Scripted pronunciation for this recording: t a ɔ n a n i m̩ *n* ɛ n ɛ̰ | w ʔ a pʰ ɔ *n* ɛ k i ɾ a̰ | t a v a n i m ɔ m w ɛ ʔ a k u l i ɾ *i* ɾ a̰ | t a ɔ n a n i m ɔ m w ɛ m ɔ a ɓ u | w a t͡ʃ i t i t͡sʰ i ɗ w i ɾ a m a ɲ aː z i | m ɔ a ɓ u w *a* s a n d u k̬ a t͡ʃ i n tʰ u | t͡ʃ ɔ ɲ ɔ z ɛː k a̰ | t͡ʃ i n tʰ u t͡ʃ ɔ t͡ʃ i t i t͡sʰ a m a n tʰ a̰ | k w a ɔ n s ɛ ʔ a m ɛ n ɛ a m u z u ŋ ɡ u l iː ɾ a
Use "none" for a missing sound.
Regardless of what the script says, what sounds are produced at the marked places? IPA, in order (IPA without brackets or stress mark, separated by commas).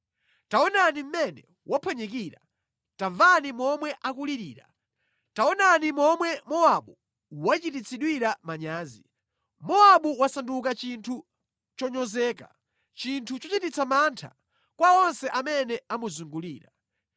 m, ɲ, iː, a